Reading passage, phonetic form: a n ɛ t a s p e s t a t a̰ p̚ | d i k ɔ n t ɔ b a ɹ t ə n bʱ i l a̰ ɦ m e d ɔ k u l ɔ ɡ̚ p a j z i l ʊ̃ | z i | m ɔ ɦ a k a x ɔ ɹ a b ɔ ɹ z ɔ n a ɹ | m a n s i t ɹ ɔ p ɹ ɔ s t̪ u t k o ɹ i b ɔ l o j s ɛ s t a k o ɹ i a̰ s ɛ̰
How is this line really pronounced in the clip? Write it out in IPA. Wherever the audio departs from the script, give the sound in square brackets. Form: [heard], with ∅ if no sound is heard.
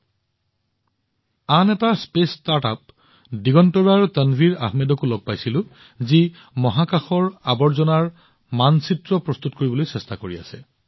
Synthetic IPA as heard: a n ɛ t a s p e s t a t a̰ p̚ | d i [ɡ] ɔ n t ɔ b a ɹ t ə n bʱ i [ɹ] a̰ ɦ m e d ɔ k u l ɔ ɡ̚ p a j [s] i l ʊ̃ | z i | m ɔ ɦ a k a x ɔ ɹ a b ɔ ɹ z ɔ n a ɹ | m a n s i t ɹ ɔ p ɹ ɔ s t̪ u t k o ɹ i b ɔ l o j s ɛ s t a k o ɹ i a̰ s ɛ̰